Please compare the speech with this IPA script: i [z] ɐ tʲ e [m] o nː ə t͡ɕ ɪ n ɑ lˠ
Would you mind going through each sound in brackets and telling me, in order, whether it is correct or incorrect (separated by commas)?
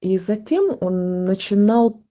correct, correct